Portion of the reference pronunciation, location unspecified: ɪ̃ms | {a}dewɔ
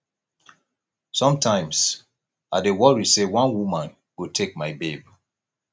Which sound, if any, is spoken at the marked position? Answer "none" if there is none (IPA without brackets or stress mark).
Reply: a